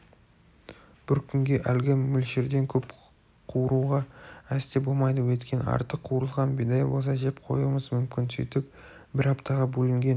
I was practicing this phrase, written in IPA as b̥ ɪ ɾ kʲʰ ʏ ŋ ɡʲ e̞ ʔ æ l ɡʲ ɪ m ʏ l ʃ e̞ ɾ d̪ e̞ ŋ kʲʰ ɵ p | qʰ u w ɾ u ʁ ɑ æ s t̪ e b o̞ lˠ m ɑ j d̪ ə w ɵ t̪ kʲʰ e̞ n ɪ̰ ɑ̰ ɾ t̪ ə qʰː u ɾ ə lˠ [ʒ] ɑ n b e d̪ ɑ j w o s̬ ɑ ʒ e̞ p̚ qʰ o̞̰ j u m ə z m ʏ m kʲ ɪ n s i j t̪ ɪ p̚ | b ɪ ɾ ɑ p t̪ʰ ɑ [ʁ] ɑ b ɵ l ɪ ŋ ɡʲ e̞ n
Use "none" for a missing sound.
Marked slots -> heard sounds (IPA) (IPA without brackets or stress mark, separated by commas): ʁ, ʁ